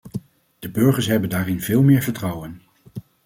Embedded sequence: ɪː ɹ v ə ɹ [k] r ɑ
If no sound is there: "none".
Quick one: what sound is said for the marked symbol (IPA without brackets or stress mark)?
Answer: t